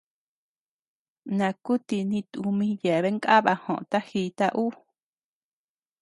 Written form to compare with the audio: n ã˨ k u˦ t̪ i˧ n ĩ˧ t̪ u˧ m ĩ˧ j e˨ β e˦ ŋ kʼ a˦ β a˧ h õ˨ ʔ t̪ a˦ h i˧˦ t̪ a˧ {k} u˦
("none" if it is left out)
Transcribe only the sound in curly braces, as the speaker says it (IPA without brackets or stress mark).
ʔ